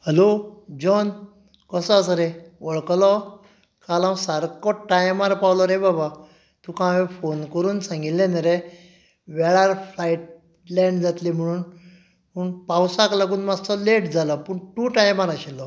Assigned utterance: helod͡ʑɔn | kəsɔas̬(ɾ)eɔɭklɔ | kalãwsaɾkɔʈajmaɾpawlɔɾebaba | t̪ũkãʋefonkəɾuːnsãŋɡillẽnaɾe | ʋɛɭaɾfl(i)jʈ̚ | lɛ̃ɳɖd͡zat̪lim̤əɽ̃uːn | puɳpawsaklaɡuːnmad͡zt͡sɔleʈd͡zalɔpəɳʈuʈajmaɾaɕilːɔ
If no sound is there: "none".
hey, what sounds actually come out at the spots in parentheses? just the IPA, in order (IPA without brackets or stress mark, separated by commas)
ɾ, a